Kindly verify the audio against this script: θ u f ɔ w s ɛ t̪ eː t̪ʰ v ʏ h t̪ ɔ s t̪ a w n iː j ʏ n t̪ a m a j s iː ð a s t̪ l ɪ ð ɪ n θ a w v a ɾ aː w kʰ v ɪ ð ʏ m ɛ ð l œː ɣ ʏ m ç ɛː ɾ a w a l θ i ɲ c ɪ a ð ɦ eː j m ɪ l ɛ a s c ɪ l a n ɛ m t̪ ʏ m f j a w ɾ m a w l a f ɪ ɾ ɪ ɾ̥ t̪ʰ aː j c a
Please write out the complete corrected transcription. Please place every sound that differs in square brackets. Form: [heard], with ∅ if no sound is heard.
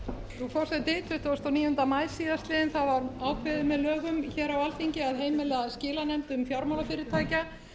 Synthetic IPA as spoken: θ u f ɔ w s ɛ t̪ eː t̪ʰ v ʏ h t̪ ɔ s t̪ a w n iː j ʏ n t̪ a m a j s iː ð a s t̪ l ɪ ð ɪ n θ a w v a ɾ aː w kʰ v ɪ ð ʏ m ɛ ð l œː ɣ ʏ m ç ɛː ɾ a w a l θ i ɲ c ɪ a ð ɦ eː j m ɪ l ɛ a s c [ɪː] l a n ɛ m t̪ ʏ m f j a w ɾ m a w l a f ɪ ɾ ɪ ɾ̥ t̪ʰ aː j c a

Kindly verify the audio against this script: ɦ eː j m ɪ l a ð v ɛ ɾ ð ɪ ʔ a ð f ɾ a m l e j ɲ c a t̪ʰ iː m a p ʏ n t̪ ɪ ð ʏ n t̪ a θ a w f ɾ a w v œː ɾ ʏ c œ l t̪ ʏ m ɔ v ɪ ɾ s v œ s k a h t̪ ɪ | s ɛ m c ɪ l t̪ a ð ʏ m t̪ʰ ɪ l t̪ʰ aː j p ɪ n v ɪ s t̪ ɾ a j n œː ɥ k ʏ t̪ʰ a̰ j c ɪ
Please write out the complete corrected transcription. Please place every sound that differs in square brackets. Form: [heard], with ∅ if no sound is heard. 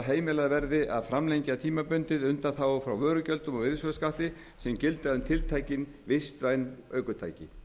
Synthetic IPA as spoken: ɦ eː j m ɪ l a ð v ɛ ɾ ð ɪ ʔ a ð f ɾ a m l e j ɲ c a t̪ʰ iː m a p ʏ n t̪ ɪ ð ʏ n t̪ a θ a w f ɾ a w v œː ɾ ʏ c œ l t̪ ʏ m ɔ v ɪ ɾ s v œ s k a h t̪ ɪ | s ɛ m c ɪ l t̪ a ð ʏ m t̪ʰ ɪ l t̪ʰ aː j [c] ɪ n v ɪ s t̪ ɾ a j n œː ɥ k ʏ t̪ʰ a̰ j c ɪ

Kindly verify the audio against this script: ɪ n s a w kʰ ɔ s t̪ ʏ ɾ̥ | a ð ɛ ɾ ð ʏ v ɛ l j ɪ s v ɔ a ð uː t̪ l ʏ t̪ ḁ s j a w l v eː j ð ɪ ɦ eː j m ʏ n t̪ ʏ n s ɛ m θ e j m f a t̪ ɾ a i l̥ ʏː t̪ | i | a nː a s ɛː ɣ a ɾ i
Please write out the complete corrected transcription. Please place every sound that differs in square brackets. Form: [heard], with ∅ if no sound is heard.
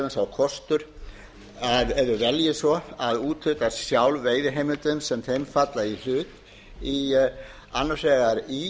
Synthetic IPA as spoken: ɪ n s a w kʰ ɔ s t̪ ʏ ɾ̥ | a ð ɛ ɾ ð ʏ v ɛ l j ɪ s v ɔ a ð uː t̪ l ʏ t̪ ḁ s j a w l v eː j ð ɪ ɦ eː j m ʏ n t̪ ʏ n s ɛ m θ e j m f a t̪ [l] a i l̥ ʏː t̪ | i | a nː a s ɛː ɣ a ɾ i

